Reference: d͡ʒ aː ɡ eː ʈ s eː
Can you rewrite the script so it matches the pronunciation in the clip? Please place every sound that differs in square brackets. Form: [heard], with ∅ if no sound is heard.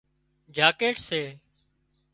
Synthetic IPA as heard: d͡ʒ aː [k] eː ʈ s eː